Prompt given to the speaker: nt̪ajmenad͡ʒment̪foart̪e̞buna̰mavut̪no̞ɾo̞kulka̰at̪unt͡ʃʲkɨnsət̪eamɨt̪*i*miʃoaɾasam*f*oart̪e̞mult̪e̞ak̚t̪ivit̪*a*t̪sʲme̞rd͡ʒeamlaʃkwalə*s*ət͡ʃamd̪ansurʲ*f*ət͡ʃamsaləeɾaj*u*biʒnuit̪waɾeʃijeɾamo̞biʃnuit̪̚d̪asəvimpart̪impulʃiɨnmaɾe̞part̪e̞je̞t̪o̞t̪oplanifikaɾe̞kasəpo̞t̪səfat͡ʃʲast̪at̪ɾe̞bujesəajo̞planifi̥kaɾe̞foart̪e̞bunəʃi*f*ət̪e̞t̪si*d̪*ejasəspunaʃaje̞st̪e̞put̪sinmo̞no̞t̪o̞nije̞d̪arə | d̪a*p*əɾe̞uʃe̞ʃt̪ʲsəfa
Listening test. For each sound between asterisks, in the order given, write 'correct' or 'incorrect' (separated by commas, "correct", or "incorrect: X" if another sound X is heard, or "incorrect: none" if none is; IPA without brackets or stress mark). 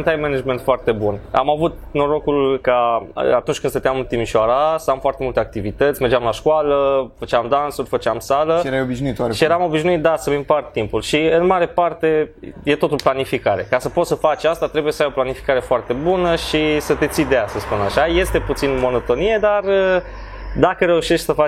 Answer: correct, correct, incorrect: ə, incorrect: f, correct, incorrect: o, incorrect: s, correct, incorrect: k